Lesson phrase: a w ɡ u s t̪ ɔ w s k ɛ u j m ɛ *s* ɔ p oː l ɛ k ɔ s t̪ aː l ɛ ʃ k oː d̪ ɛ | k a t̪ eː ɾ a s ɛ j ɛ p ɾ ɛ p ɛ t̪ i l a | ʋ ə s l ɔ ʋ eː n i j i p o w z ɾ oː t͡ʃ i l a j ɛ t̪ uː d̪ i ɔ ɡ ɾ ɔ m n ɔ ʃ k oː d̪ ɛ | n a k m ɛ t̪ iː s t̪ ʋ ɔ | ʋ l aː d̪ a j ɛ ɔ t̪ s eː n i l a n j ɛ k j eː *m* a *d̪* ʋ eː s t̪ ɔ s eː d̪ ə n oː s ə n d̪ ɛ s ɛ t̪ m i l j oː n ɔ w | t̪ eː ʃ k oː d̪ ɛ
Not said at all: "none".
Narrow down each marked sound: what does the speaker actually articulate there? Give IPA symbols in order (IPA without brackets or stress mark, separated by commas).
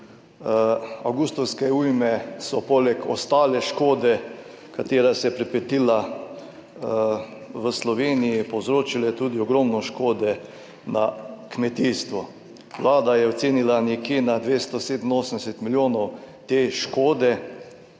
s, n, d̪